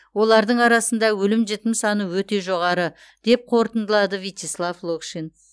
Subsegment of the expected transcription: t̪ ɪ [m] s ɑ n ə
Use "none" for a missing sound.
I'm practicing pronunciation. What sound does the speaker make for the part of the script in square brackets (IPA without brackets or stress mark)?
m